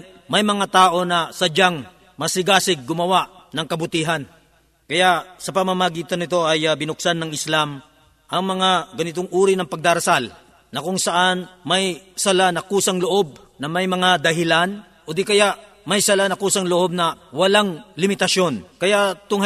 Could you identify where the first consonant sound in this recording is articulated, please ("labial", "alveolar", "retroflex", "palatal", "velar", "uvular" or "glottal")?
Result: labial